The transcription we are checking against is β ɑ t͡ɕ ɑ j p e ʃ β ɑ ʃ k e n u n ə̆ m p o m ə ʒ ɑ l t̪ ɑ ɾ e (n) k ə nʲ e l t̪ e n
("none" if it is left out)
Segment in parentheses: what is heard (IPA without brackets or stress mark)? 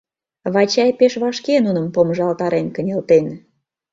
n